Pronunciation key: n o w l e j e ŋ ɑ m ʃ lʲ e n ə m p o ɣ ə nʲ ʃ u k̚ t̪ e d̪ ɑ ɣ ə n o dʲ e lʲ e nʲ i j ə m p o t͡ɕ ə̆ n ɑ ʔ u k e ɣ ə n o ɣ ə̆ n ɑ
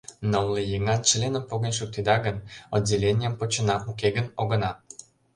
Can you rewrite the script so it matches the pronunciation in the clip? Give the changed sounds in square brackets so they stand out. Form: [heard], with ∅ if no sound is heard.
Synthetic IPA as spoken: n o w l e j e ŋ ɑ [n] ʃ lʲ e n ə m p o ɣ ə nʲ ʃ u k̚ t̪ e d̪ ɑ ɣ ə n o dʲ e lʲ e nʲ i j ə m p o t͡ɕ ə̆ n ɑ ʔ u k e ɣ ə n o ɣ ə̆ n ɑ